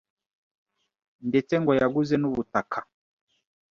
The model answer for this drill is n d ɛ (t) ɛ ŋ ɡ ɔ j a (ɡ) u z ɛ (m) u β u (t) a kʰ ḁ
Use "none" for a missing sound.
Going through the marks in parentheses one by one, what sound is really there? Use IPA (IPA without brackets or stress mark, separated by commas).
t͡s, ɡ, n, t